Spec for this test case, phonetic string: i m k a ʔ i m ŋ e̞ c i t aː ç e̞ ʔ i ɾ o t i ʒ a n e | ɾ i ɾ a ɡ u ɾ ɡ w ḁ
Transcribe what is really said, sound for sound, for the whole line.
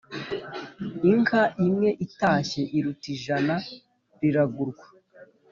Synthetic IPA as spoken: i ŋ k a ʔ i m ŋ e̞ ʔ i t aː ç e̞ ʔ i ɾ u t i ʒ a n a | ɾ i ɾ a ɡ u ɾ ɡ w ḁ